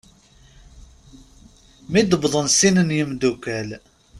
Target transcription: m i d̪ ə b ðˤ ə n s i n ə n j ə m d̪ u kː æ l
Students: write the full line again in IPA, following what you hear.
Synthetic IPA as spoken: m i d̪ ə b ðˤ ə n s i n ə n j ə m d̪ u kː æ l